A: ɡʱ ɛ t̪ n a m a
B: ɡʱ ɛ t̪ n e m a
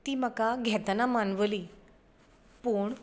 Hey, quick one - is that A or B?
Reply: A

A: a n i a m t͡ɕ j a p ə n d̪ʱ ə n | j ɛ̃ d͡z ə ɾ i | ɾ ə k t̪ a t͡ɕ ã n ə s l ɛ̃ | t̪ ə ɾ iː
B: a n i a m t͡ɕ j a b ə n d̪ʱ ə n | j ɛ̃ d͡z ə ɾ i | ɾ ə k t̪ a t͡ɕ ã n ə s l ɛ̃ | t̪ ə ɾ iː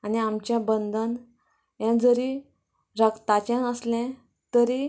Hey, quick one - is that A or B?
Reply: B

